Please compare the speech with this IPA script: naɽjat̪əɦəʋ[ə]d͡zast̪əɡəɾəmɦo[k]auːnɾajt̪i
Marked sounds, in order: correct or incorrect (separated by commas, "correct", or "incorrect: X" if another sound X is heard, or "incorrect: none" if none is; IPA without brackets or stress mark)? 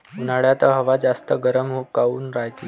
incorrect: a, correct